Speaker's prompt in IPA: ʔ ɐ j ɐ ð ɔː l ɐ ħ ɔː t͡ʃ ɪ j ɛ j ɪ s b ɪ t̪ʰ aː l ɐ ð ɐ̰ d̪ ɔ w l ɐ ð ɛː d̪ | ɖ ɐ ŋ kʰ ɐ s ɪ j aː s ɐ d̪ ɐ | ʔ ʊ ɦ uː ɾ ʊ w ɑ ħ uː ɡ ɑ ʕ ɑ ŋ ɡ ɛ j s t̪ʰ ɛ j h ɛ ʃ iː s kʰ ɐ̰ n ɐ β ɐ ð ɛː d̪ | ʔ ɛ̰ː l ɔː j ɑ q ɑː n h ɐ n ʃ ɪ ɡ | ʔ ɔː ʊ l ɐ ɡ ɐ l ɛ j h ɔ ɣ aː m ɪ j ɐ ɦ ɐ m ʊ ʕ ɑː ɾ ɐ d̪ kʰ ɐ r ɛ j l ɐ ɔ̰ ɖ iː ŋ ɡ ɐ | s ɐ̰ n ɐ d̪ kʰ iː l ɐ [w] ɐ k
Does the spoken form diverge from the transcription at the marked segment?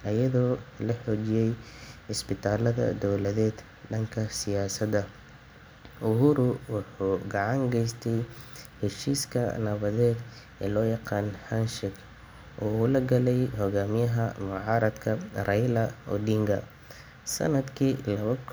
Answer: yes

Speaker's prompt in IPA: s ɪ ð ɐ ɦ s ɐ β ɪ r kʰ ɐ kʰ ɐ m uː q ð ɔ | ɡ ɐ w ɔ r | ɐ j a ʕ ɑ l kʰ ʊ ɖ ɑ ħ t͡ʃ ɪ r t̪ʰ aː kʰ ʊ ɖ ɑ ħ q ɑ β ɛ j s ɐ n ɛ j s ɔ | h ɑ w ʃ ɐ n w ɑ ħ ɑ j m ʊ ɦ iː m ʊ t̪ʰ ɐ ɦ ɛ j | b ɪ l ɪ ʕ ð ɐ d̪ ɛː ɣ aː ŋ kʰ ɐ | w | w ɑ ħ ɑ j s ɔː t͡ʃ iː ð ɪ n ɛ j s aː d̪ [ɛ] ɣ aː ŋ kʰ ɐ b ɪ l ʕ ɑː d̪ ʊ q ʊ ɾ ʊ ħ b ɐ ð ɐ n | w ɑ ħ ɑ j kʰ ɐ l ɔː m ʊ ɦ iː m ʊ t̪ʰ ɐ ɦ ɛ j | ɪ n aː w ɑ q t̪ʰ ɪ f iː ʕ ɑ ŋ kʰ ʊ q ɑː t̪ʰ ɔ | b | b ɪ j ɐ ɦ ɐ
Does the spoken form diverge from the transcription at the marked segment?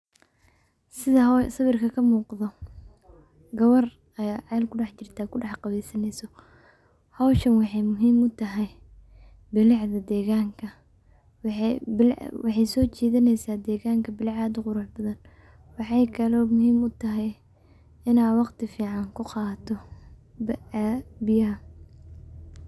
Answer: yes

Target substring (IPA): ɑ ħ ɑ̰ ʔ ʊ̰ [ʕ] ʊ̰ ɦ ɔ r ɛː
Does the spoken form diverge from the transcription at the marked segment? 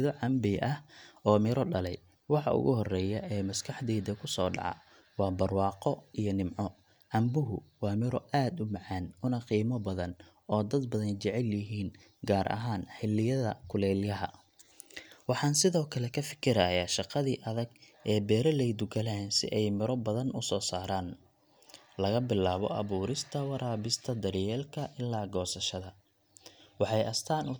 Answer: yes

